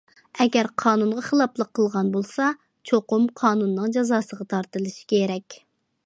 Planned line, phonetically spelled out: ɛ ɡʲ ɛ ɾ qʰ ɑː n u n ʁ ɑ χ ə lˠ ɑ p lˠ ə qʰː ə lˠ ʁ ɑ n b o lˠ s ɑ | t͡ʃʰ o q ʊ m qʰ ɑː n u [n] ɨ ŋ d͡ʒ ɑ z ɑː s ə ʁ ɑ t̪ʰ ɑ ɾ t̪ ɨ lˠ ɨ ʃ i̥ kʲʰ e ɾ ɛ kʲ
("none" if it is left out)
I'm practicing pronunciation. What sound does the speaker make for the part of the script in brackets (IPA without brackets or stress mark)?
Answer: nː